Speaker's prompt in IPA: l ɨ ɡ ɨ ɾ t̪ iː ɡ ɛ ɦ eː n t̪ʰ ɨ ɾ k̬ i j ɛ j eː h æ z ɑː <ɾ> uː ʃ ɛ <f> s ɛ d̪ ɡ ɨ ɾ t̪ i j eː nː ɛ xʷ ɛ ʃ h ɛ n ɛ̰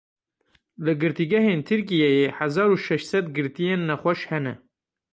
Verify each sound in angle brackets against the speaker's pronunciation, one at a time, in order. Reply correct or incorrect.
correct, incorrect: ʃ

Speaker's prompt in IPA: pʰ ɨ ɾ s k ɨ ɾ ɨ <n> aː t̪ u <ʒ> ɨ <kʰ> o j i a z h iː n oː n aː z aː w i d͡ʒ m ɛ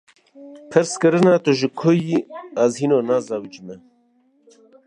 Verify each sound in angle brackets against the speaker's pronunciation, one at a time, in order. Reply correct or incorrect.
correct, correct, correct

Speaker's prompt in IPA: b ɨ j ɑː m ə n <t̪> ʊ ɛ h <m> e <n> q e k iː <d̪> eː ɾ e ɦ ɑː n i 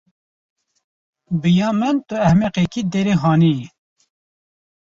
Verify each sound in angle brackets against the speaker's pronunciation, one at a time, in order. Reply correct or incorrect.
correct, correct, incorrect: none, correct

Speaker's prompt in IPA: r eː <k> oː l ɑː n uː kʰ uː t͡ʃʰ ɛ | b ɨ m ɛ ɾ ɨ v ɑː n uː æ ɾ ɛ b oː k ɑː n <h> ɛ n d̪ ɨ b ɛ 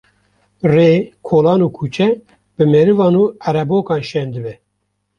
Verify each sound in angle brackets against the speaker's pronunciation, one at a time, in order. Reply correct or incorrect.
incorrect: kʰ, incorrect: ʃ

